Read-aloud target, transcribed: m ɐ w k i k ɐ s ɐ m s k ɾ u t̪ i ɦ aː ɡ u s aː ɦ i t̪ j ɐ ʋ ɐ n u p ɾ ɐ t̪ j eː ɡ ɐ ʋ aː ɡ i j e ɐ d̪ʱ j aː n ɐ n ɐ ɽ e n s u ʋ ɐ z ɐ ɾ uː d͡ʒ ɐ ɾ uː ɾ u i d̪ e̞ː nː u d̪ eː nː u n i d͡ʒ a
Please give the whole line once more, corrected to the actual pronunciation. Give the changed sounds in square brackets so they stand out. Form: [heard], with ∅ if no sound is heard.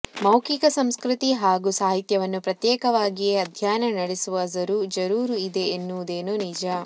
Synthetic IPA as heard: m ɐ w k i k ɐ s ɐ m s k ɾ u t̪ i ɦ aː ɡ u s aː ɦ i t̪ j ɐ ʋ ɐ [nː] u p ɾ ɐ t̪ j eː [k] ɐ ʋ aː ɡ i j e ɐ d̪ʱ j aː n ɐ n ɐ ɽ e [∅] s u ʋ ɐ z ɐ ɾ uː d͡ʒ ɐ ɾ uː ɾ u i d̪ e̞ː nː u d̪ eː [n] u n i d͡ʒ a